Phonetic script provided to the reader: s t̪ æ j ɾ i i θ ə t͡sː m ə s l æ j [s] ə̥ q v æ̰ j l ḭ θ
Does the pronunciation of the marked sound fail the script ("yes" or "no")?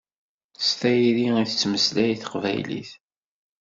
yes